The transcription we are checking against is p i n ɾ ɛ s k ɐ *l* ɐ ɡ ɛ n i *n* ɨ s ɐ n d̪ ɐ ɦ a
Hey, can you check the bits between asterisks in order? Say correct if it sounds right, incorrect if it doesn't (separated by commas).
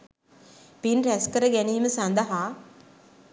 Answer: incorrect, incorrect